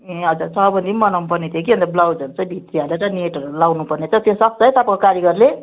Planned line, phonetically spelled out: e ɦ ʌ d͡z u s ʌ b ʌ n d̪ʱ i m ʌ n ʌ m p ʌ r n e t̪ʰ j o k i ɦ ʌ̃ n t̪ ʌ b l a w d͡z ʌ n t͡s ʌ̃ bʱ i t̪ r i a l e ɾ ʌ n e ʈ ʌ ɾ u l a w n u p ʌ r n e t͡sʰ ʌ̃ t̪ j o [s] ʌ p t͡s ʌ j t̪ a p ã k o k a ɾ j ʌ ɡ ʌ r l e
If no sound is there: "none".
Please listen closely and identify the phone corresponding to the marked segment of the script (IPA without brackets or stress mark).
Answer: s